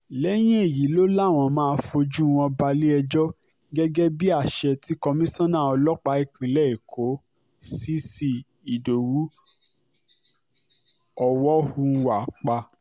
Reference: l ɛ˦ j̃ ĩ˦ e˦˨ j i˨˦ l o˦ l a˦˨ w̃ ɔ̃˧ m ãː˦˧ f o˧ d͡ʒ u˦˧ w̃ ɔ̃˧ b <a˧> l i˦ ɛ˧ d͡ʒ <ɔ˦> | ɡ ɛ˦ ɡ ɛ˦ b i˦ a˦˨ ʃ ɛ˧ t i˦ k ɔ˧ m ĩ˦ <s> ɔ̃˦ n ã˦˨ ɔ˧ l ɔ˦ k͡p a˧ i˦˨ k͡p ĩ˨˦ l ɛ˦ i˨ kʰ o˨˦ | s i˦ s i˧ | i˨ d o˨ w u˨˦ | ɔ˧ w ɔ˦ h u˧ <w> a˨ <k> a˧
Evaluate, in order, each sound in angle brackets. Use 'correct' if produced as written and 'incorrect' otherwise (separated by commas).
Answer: correct, correct, correct, correct, incorrect